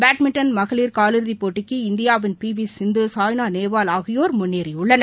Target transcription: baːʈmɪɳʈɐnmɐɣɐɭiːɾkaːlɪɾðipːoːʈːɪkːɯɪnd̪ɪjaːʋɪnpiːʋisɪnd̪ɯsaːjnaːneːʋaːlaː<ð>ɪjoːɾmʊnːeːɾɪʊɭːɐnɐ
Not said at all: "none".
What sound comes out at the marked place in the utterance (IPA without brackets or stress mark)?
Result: ɣ